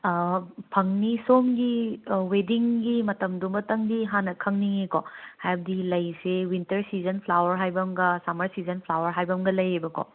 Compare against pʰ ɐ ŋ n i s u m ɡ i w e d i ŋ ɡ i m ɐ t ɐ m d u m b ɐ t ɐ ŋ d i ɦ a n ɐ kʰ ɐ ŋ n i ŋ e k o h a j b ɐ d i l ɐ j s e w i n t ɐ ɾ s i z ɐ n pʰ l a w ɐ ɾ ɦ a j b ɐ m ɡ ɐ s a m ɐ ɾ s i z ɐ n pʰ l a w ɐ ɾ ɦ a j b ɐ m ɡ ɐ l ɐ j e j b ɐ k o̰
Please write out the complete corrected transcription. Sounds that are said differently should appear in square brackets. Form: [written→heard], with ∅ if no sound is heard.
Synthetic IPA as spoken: pʰ ɐ ŋ n i s [u→o] m ɡ i w e d i ŋ ɡ i m ɐ t ɐ m d u m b ɐ t ɐ ŋ d i ɦ a n ɐ kʰ ɐ ŋ n i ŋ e k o h a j b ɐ d i l ɐ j s e w i n t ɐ ɾ s i z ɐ n pʰ l a w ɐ ɾ ɦ a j b ɐ m ɡ ɐ s a m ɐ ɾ s i z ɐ n pʰ l a w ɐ ɾ ɦ a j b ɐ m ɡ ɐ l ɐ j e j b ɐ k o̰